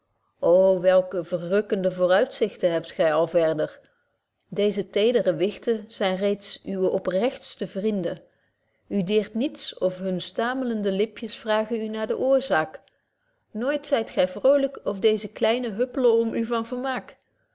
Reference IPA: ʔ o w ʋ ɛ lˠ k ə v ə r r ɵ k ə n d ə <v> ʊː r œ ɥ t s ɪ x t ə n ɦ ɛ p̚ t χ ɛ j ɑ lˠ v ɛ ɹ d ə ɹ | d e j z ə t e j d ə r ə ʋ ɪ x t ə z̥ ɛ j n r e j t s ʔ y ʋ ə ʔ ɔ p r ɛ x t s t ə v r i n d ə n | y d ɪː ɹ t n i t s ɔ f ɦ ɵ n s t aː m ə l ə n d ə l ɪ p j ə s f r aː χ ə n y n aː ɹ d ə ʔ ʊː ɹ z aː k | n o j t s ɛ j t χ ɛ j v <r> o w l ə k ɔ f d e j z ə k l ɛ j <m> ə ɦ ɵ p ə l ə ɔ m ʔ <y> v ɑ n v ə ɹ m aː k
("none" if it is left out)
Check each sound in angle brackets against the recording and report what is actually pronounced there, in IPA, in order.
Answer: v, r, n, y

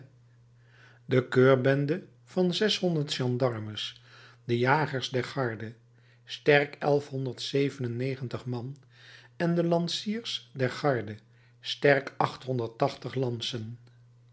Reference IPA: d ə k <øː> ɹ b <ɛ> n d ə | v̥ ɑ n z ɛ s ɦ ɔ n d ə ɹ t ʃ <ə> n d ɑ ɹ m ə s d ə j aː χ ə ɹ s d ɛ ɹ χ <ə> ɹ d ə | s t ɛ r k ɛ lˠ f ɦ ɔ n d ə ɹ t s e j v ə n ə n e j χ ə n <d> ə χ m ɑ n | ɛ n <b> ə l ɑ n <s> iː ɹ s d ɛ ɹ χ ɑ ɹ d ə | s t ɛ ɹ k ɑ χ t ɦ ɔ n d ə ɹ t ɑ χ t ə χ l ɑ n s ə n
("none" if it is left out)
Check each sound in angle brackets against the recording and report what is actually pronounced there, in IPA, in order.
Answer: øː, ɛ, ɑ, ɑ, t, d, s

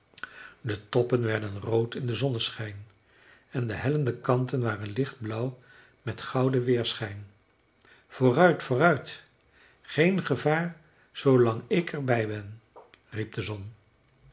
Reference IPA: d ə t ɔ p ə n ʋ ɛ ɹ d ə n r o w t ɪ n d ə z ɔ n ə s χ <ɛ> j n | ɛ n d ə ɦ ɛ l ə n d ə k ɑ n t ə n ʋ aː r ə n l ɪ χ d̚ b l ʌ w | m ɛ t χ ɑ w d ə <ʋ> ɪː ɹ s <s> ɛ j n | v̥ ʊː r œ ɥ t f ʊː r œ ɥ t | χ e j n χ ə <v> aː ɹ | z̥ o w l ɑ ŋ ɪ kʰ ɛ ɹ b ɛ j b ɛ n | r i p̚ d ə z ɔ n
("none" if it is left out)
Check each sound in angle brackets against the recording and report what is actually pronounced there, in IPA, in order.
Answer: ɛ, ʋ, χ, v

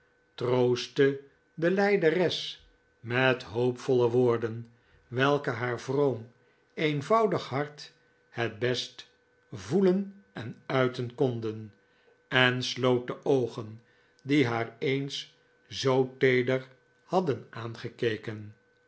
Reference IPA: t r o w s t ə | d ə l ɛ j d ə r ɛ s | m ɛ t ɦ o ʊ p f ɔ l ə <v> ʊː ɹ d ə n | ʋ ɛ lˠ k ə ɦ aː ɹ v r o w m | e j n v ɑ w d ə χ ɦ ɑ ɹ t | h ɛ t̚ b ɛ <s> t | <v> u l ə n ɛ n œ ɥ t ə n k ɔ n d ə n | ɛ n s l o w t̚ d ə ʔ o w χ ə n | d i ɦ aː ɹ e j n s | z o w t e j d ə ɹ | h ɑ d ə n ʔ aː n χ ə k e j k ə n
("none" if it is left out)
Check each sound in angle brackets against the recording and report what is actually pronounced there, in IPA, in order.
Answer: ʋ, s, v

